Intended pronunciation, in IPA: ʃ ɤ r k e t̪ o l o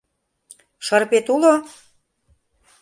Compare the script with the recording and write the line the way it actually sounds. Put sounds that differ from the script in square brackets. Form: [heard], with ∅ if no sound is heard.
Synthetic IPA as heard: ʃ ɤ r [p] e t̪ [u] l o